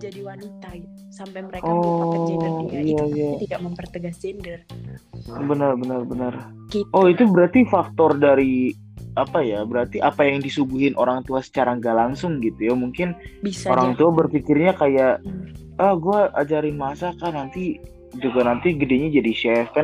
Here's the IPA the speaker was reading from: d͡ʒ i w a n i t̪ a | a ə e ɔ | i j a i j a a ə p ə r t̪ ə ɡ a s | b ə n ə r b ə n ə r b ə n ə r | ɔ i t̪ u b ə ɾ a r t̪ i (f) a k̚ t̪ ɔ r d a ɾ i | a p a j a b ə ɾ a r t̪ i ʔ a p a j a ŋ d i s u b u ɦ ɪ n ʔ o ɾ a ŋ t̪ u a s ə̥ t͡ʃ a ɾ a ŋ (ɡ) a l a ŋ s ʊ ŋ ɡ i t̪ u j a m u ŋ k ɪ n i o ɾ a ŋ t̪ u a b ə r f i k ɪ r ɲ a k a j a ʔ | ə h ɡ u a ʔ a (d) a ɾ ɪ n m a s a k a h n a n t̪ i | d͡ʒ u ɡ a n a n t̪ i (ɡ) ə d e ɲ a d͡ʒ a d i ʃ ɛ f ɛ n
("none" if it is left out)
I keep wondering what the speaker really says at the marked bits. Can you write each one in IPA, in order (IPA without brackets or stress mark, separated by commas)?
f, ɡ, d͡ʒ, ɡ